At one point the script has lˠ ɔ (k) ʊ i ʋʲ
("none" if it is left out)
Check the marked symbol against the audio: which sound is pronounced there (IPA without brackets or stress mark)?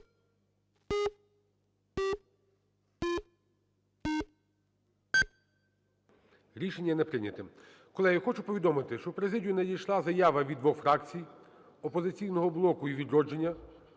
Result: k